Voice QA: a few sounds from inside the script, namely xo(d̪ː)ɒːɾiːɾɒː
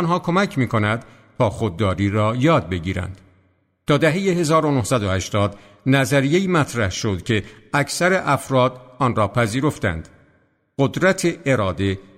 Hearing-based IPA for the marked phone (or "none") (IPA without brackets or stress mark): d̪ː